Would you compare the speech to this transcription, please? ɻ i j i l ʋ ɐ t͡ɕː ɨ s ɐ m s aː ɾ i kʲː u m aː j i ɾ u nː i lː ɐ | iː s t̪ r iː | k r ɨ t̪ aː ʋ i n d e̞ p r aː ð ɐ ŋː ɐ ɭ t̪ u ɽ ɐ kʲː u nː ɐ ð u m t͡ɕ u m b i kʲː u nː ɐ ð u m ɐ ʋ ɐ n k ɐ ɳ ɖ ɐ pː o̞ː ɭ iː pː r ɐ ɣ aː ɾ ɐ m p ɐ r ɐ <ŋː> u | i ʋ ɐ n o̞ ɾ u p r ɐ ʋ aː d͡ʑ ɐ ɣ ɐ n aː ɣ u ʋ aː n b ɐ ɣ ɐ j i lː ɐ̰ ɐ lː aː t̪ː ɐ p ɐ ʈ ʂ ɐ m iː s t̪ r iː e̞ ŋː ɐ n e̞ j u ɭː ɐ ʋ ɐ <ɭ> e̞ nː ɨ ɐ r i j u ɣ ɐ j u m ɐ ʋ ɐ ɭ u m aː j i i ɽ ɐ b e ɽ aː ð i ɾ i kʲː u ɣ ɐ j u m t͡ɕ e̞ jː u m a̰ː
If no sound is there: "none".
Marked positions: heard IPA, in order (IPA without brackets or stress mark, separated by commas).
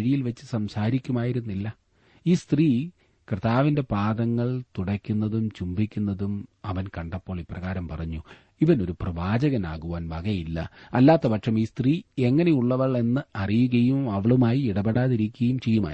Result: ɲː, ɭ